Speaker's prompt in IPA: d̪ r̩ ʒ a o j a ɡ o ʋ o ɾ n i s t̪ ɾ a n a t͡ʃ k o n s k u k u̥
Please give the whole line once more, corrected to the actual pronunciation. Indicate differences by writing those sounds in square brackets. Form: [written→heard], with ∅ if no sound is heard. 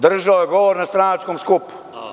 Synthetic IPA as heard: d̪ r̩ ʒ a o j [a→e] ɡ o ʋ o ɾ n [i→a] s t̪ ɾ a n a t͡ʃ k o [n→m] s k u [k→p] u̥